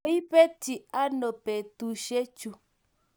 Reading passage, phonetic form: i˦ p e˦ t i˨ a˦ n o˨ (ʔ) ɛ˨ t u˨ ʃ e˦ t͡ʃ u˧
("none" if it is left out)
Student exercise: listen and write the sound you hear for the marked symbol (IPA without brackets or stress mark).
p